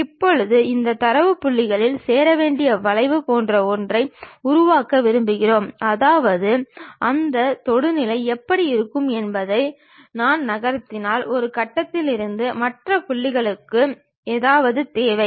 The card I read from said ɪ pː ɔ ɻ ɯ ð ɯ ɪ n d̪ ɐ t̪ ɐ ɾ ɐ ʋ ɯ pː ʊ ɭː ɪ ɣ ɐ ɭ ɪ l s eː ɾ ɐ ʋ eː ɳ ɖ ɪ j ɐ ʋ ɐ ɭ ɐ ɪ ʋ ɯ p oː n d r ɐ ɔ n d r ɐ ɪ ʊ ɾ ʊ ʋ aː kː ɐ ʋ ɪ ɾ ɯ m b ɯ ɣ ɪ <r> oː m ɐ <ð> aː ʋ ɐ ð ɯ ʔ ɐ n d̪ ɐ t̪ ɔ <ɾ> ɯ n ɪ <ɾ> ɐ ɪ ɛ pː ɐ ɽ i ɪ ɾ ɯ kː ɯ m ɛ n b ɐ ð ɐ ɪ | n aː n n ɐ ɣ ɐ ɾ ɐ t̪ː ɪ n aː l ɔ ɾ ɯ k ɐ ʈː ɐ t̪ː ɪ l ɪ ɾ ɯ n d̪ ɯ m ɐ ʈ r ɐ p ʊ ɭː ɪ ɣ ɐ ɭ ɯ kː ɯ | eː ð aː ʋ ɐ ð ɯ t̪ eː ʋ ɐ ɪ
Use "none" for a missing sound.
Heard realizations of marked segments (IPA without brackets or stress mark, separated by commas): r, ð, ɽ, l